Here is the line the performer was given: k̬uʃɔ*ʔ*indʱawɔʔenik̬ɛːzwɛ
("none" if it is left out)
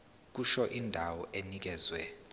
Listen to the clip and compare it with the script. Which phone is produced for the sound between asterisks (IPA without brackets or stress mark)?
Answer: ʔ